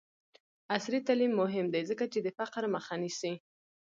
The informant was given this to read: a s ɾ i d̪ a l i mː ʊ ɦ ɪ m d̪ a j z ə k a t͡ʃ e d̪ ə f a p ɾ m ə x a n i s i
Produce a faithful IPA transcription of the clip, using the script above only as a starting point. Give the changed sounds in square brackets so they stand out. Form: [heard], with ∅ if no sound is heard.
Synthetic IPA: a s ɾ i [t̪] a l i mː ʊ ɦ ɪ m d̪ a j z ə k a t͡ʃ e d̪ ə f a [q] ɾ m ə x a n i s i